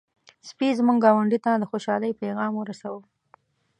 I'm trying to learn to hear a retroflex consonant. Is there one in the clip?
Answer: yes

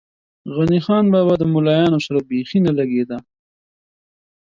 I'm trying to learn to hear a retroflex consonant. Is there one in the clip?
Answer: no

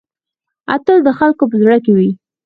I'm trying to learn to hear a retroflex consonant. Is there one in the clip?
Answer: yes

